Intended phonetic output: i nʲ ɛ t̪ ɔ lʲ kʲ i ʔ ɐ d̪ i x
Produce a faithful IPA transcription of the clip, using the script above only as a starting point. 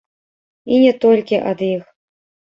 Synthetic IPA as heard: i nʲ ɛ t̪ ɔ lʲ kʲ i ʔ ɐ d̪ i x